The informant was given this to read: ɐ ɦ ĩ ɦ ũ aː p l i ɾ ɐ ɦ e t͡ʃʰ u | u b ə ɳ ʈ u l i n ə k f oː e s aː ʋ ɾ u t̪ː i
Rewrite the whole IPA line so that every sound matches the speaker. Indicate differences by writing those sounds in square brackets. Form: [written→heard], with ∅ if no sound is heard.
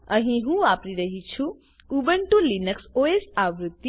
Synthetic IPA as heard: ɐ ɦ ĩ ɦ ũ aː p [l→ɾ] i ɾ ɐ ɦ [e→i] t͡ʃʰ u | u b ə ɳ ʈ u l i n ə k [f→s] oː e s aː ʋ ɾ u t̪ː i